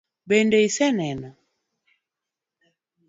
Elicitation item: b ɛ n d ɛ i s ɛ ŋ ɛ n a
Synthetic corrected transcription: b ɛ n d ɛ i s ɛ n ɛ n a